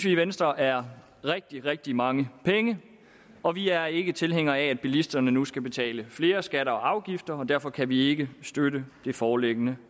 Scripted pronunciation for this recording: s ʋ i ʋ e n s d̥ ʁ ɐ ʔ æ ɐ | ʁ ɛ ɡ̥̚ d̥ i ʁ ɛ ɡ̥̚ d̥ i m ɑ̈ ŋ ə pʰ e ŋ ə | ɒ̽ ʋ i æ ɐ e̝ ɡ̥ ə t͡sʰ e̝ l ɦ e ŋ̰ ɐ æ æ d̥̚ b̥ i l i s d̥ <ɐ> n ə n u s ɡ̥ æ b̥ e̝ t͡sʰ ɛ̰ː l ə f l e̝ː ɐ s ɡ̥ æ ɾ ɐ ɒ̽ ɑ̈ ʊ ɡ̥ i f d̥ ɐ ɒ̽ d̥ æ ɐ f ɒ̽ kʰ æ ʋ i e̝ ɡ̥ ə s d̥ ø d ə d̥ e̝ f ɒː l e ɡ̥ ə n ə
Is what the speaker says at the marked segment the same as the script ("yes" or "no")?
yes